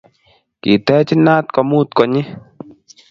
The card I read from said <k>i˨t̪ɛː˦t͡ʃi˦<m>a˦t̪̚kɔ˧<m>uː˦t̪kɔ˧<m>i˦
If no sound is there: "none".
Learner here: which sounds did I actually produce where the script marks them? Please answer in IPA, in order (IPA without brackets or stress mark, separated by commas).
k, n, m, ɲ